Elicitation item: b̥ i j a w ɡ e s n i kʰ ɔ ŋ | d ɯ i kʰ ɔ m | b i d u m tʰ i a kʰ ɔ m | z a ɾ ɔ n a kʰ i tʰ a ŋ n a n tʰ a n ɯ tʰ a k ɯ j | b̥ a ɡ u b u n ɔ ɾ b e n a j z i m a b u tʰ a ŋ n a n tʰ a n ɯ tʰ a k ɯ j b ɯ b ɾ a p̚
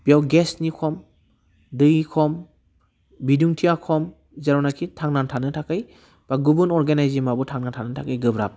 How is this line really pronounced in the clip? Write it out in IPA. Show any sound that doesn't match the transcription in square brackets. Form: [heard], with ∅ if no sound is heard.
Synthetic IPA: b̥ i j a w ɡ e s n i kʰ ɔ [m] | d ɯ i kʰ ɔ m | b i d u [ŋ] tʰ i a kʰ ɔ m | z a ɾ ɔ n a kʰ i tʰ a ŋ n a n tʰ a n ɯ tʰ a k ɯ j | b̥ a ɡ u b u n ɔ ɾ [ɡ] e n a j z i m a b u tʰ a ŋ n a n tʰ a n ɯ tʰ a k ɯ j [ɡ] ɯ b ɾ a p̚